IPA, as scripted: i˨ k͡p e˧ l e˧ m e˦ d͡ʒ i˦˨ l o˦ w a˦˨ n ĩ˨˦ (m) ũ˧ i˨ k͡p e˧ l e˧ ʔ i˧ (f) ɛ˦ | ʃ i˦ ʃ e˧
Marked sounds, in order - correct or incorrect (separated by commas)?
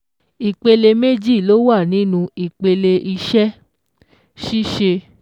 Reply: incorrect, incorrect